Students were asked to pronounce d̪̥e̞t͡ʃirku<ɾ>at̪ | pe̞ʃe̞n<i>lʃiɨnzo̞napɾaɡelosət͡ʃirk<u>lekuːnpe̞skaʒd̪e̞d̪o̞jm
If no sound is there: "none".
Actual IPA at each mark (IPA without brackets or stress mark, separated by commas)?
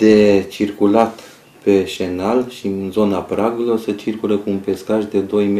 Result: l, a, u